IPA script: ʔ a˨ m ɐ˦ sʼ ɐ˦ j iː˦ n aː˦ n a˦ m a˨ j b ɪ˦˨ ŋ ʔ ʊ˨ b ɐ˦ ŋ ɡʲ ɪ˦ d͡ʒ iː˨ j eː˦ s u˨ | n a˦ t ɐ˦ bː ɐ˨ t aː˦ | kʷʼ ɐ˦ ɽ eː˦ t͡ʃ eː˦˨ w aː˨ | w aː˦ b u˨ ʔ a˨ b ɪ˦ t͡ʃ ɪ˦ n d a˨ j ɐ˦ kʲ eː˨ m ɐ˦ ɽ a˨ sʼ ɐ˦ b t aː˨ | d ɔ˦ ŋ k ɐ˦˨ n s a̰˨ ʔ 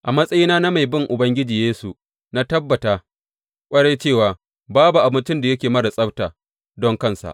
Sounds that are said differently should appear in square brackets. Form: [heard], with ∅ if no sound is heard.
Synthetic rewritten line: ʔ a˨ m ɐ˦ sʼ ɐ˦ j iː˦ n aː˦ n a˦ m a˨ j b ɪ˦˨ ŋ ʔ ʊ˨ b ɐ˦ ŋ ɡʲ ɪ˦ d͡ʒ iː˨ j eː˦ s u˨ | n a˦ t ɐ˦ bː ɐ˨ t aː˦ | kʷʼ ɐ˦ ɽ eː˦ t͡ʃ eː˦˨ w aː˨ | [b] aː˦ b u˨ ʔ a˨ b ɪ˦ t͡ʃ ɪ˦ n d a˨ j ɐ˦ kʲ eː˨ m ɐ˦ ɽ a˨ sʼ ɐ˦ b t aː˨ | d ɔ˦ ŋ k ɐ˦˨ n s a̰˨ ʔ